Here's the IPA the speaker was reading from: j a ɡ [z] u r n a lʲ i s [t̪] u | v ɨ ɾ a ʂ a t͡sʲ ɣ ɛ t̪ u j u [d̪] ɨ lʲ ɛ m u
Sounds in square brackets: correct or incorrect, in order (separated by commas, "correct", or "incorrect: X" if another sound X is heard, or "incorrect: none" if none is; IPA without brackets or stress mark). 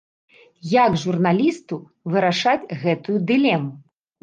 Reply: incorrect: ʐ, correct, correct